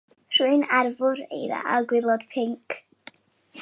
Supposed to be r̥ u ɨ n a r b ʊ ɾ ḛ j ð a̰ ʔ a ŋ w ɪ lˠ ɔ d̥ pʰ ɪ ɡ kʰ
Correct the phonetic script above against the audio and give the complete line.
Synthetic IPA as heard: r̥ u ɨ n a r v ʊ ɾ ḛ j ð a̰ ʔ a ɡ w ɪ lˠ ɔ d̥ pʰ ɪ ŋ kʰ